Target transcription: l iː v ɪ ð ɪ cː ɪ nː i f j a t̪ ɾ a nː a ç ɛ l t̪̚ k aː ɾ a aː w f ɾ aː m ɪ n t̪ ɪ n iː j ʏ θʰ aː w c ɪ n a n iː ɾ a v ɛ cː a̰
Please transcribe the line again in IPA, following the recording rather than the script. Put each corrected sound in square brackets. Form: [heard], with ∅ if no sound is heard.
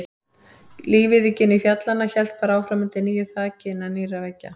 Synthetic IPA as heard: l iː v ɪ ð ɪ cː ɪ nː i f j a t̪ [l] a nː a ç ɛ l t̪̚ [p] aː ɾ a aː w f ɾ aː m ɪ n t̪ ɪ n iː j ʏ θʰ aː [∅] c ɪ n a n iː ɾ a v ɛ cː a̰